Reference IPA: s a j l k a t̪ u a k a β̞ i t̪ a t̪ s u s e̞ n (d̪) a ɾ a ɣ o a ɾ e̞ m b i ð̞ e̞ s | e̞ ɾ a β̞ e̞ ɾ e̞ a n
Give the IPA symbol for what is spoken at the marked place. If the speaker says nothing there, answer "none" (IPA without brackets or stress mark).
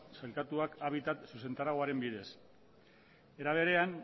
t̪